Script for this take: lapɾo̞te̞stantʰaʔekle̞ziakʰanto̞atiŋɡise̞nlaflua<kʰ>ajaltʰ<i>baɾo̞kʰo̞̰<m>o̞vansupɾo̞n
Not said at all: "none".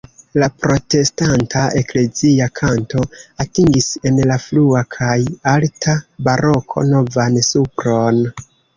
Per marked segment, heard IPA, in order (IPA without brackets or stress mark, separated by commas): kʰ, a, n